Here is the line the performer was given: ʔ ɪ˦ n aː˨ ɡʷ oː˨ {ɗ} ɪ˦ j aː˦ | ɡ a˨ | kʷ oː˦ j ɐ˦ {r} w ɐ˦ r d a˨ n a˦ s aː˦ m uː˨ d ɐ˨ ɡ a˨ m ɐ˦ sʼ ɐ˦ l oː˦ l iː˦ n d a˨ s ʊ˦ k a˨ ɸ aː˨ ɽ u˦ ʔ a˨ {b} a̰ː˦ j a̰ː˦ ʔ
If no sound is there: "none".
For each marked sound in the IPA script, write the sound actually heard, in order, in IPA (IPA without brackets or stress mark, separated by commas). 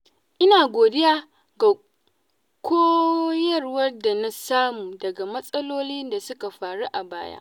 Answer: d, r, b